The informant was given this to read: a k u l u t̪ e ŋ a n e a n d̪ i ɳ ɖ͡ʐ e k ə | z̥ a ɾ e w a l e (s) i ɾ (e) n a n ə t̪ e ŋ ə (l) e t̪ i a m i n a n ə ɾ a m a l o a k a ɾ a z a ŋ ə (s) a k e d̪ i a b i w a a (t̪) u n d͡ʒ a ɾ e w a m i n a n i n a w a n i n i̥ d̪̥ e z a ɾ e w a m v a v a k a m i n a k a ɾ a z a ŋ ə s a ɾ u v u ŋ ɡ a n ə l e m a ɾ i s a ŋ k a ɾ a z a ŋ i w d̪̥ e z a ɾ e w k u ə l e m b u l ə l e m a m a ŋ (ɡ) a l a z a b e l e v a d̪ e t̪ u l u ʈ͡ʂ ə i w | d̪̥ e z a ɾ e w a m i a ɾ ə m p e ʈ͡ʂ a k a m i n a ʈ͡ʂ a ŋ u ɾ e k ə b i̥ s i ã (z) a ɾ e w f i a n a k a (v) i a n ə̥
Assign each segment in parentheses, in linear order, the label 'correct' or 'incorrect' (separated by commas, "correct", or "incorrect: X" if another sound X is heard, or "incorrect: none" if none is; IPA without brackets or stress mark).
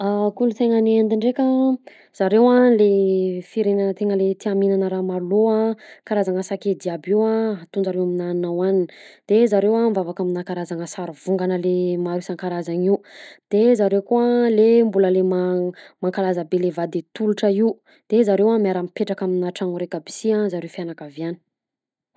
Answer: incorrect: f, correct, correct, correct, correct, incorrect: k, correct, correct